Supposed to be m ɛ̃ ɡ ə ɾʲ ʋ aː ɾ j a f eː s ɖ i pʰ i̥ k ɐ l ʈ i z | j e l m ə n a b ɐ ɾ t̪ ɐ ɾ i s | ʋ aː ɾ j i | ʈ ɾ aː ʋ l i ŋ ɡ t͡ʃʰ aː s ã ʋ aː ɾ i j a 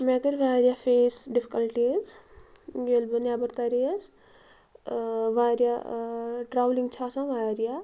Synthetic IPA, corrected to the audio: m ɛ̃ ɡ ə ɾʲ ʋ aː ɾ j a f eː s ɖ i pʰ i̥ k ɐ l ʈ i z | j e l b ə n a b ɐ ɾ t̪ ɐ ɾ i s | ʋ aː ɾ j a | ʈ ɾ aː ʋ l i ŋ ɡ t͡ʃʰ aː s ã ʋ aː ɾ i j a